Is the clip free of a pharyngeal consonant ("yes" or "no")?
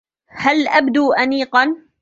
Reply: yes